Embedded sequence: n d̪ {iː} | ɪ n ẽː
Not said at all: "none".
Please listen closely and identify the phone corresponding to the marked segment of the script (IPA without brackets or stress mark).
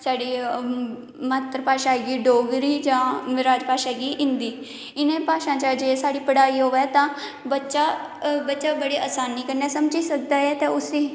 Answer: iː